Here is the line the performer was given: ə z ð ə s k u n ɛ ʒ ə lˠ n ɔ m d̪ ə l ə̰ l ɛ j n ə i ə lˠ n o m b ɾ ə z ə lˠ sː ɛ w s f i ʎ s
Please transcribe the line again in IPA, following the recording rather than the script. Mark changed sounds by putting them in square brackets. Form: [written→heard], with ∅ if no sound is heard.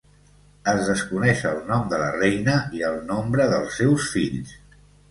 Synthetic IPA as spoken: ə z ð ə s k u n ɛ [ʒ→ʃ] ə lˠ n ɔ m d̪ ə l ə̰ [l→r] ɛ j n ə i ə lˠ n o m b ɾ ə [z→ð] ə lˠ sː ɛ w s f i ʎ s